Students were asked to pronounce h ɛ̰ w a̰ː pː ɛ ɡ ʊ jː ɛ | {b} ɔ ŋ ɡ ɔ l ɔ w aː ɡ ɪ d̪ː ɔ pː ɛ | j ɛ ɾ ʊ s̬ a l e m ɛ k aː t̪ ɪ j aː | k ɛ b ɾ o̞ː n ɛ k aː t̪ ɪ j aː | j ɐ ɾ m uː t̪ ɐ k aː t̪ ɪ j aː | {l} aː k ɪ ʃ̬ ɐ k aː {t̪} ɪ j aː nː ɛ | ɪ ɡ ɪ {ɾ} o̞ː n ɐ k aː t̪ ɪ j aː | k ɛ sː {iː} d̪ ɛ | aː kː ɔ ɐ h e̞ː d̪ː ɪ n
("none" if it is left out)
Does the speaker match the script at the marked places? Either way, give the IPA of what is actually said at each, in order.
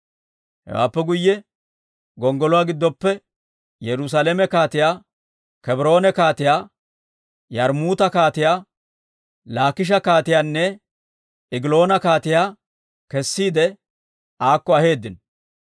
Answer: ɡ, l, t̪, l, iː

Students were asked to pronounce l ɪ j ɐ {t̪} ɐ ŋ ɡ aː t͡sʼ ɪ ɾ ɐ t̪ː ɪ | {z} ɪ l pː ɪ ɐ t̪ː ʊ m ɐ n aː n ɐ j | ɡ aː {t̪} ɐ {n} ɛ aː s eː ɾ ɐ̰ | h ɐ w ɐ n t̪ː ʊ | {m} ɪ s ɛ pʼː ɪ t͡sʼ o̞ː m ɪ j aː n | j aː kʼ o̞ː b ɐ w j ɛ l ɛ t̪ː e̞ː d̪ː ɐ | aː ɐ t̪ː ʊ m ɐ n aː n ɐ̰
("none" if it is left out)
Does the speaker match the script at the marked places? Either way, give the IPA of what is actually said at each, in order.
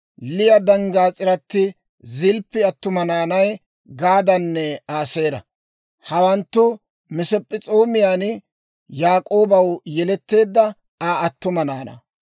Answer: d̪, z, d̪, nː, m

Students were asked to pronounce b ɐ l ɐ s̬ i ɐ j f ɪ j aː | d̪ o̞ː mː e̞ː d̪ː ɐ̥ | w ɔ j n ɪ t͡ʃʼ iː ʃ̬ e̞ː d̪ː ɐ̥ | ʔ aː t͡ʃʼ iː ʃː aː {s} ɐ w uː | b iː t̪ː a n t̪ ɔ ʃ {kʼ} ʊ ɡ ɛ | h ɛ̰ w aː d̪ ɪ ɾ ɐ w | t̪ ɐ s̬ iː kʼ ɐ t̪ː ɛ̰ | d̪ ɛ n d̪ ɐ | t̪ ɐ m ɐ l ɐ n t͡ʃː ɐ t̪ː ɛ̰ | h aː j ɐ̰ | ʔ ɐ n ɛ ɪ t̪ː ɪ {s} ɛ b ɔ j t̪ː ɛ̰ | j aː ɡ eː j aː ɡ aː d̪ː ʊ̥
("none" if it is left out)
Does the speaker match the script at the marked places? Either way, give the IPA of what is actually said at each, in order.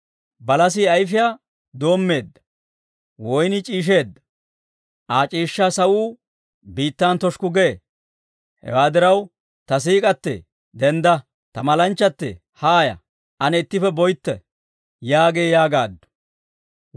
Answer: s, k, f

